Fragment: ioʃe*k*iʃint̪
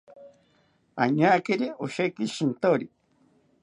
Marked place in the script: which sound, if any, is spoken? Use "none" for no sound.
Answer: k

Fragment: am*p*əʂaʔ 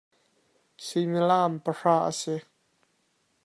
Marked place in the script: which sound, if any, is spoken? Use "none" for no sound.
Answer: p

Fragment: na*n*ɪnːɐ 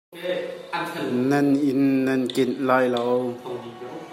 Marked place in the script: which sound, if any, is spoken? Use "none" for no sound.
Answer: n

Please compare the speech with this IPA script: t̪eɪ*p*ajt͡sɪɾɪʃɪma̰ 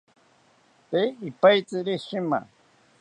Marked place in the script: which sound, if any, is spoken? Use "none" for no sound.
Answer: p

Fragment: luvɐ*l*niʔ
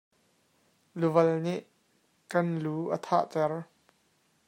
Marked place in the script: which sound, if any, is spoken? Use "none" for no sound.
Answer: l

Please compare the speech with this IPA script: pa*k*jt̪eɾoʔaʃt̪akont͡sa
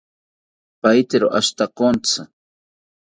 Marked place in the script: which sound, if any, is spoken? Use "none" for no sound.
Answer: none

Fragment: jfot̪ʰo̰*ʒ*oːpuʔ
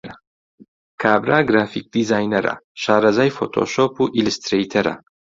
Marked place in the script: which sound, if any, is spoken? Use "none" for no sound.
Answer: ʃ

